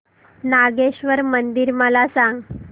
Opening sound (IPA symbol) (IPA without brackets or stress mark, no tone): n